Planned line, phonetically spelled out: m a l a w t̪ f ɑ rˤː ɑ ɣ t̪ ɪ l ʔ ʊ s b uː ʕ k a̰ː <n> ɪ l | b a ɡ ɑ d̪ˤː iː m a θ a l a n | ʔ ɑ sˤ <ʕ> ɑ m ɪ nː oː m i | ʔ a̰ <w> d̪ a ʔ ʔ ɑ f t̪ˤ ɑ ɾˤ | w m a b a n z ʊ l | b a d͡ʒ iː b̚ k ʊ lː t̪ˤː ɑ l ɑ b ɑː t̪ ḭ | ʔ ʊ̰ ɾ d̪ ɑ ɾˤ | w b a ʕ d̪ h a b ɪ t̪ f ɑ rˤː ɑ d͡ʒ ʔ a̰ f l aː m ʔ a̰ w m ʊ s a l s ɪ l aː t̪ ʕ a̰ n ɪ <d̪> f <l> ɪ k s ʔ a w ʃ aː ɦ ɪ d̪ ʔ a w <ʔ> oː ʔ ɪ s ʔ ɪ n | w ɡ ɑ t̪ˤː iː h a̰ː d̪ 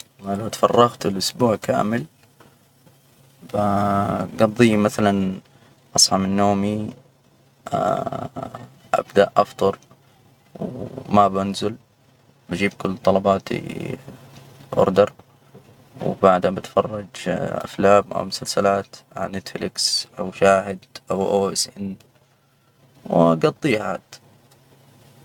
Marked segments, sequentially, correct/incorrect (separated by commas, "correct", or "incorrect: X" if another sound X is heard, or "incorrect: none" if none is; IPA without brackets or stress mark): incorrect: m, correct, incorrect: b, incorrect: t̪, correct, correct